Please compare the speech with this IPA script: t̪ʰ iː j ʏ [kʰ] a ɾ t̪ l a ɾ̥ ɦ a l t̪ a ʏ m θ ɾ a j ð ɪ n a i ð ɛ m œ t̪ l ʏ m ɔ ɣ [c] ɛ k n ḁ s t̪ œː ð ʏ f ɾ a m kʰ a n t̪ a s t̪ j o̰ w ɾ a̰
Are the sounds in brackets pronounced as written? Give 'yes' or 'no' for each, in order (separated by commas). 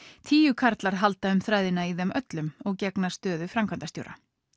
yes, yes